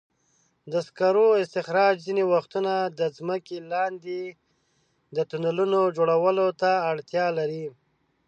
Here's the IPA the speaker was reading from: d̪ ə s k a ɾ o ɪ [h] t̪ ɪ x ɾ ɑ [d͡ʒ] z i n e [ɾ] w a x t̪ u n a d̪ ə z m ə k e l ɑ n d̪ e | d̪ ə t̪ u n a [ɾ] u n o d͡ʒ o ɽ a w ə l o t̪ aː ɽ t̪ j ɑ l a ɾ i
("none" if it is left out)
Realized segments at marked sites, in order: s, d͡ʒ, none, l

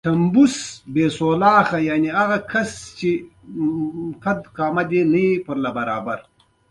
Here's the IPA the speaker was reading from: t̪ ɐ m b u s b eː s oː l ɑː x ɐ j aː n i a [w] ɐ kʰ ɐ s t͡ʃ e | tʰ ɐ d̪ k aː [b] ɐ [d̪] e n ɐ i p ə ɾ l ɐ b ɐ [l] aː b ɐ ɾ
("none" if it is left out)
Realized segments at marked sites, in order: ɣ, m, d̪, ɾ

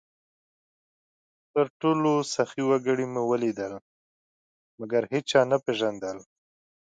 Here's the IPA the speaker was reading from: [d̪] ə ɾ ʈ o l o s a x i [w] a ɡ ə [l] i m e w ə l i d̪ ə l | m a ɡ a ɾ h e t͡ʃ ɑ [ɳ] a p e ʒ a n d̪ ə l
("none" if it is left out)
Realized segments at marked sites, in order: t̪, w, ɽ, n

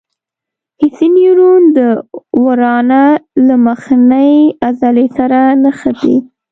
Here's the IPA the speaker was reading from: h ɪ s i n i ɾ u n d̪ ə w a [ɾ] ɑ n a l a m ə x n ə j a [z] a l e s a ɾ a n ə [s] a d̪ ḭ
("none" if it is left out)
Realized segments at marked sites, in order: ɾ, z, x

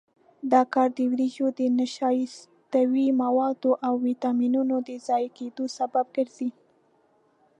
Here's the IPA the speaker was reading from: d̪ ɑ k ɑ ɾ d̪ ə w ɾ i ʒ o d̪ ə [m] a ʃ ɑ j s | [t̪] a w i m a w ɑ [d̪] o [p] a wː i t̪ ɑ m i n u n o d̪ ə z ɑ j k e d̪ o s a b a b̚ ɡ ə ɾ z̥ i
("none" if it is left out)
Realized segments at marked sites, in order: n, t̪, d̪, ʔ

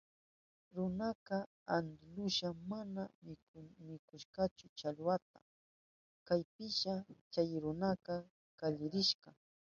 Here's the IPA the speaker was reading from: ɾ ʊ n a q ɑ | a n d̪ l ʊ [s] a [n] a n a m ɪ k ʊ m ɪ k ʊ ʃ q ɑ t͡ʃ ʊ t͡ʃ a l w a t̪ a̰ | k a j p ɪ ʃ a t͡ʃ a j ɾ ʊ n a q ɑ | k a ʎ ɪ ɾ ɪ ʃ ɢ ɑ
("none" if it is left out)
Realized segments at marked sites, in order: ʃ, m

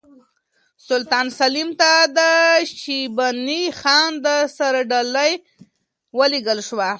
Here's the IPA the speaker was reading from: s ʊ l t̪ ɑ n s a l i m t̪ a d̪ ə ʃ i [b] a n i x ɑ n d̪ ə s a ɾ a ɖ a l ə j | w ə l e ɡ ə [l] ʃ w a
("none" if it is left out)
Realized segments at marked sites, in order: b, l

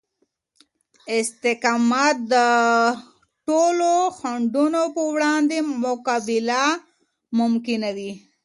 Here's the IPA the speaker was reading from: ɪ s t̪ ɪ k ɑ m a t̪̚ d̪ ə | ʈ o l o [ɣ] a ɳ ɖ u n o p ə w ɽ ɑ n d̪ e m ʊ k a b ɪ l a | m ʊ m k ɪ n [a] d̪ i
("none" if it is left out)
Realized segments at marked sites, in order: x, a

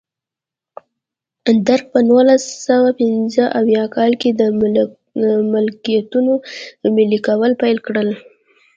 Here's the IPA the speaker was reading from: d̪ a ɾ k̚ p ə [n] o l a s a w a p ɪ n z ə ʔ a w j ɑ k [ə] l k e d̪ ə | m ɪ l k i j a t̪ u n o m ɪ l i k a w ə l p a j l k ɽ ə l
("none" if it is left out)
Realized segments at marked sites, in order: n, ɑ

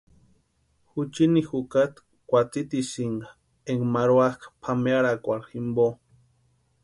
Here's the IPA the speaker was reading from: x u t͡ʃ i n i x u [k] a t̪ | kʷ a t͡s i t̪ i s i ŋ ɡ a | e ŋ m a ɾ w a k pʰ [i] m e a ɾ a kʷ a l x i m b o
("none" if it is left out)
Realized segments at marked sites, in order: k, a

